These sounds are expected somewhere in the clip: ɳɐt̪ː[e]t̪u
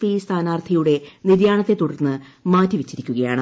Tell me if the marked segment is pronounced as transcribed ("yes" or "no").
yes